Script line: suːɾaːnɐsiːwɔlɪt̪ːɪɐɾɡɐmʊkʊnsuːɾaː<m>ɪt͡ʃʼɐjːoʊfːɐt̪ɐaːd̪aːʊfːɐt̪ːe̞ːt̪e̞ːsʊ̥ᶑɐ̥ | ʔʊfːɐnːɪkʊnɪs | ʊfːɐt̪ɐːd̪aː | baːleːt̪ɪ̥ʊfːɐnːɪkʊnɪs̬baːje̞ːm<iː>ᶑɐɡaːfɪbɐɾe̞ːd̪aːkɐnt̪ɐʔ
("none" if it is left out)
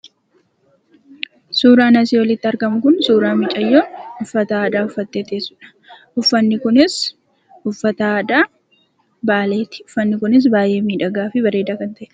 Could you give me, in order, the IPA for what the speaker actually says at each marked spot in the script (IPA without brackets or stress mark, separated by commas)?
m, iː